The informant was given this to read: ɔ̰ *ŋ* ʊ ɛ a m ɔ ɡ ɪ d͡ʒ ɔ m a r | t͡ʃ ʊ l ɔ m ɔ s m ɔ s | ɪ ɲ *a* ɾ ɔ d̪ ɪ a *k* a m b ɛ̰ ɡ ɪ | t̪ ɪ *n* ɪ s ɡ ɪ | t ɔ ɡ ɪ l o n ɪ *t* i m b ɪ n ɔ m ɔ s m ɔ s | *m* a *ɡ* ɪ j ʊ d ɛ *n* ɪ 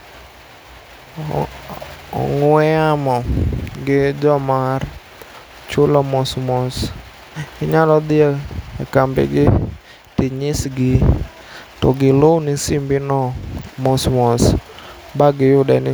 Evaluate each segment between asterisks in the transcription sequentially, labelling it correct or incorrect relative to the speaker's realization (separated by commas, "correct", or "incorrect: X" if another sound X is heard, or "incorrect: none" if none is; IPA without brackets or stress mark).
correct, correct, correct, incorrect: ɲ, incorrect: s, incorrect: b, correct, correct